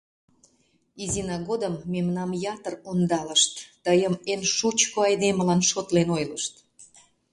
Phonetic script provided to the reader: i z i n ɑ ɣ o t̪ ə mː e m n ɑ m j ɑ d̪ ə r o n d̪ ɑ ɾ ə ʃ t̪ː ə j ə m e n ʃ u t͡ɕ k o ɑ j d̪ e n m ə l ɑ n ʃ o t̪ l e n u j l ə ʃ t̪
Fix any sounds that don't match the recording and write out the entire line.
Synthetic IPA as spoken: i z i n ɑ ɣ o d̪ ə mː e m n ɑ m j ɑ t̪ ə r o n d̪ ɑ l ə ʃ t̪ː ə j ə m e n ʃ u t͡ɕ k o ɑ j d̪ e m ə l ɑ n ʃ o t̪ l e n o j l ə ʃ t̪